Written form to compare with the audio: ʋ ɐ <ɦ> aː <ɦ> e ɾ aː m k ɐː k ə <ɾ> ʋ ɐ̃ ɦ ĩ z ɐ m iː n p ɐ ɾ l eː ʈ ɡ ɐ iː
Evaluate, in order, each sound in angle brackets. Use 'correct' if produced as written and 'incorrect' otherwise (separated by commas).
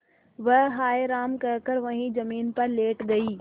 correct, incorrect, correct